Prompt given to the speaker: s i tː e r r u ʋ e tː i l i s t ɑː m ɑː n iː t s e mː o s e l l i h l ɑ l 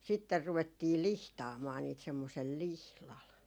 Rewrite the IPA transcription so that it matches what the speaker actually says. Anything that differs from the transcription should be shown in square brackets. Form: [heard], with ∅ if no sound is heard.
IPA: s i tː e r r u ʋ e tː [iː] l i [h] t ɑː m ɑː n iː t s e mː o s e l l i h l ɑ l